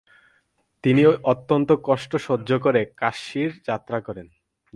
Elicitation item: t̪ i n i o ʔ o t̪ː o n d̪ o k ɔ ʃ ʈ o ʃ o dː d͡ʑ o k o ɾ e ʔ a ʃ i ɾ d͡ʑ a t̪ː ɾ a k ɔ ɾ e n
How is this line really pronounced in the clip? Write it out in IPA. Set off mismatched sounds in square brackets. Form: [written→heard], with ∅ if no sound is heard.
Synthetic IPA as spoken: t̪ i n i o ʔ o t̪ː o n [d̪→t̪] o k ɔ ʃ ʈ o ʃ o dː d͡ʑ o k o ɾ e [ʔ→k] a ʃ i ɾ d͡ʑ a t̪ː ɾ a k ɔ ɾ e n